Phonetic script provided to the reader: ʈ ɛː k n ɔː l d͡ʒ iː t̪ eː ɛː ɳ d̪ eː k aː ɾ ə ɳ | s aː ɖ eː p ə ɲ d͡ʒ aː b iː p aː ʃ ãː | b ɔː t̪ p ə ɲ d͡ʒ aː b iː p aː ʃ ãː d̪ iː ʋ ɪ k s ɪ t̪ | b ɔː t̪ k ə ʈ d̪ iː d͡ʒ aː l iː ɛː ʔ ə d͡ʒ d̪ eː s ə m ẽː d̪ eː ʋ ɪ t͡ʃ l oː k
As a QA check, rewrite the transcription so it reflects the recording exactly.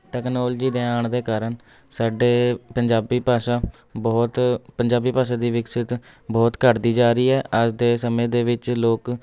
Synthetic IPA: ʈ ɛː k n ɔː l d͡ʒ iː d̪ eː aː ɳ d̪ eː k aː ɾ ə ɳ | s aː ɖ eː p ə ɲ d͡ʒ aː b iː p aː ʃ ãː | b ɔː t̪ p ə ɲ d͡ʒ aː b iː p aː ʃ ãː d̪ iː ʋ ɪ k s ɪ t̪ | b ɔː t̪ k ə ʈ d̪ iː d͡ʒ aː ɾ iː ɛː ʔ ə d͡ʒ d̪ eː s ə m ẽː d̪ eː ʋ ɪ t͡ʃ l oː k